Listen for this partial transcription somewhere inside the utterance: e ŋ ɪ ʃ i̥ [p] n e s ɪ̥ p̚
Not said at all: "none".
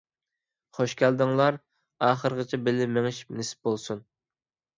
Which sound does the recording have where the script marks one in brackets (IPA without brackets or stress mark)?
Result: p